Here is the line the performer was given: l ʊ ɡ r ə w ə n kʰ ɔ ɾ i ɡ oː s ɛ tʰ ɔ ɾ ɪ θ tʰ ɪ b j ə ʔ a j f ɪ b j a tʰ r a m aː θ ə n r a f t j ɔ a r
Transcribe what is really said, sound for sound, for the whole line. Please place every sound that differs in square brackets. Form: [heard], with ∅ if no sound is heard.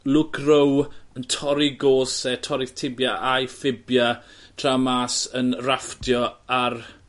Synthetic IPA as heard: l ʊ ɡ r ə w ə n [tʰ] ɔ ɾ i ɡ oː s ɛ tʰ ɔ ɾ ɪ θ tʰ ɪ b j [a] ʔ a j f ɪ b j a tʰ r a m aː [s] ə n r a f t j ɔ a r